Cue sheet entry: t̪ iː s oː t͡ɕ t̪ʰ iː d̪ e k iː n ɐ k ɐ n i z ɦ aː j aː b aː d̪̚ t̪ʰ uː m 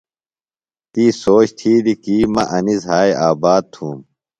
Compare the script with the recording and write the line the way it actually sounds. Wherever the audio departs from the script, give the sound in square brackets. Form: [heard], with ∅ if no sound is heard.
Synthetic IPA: t̪ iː s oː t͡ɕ t̪ʰ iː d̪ [i] k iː [m] ɐ [ʔ] ɐ n i z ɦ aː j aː b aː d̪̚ t̪ʰ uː m